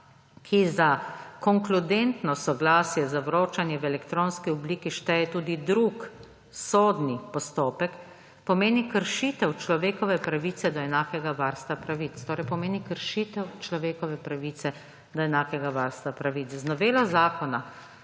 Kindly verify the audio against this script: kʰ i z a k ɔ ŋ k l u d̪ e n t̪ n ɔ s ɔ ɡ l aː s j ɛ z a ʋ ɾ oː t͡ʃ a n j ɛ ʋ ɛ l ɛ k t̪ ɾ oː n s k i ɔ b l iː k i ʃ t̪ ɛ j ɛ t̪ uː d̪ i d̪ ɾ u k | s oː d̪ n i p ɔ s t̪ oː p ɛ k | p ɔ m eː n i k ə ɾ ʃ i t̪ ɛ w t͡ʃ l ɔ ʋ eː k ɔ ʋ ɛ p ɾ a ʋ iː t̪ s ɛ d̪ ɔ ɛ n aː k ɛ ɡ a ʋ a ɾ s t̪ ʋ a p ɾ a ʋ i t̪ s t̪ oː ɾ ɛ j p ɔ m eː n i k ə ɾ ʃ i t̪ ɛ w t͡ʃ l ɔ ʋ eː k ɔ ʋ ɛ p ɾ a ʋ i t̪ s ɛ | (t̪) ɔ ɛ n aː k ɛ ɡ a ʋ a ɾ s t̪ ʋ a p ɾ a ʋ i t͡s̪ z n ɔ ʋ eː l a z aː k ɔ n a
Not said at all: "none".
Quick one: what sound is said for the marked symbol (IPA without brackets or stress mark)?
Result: d̪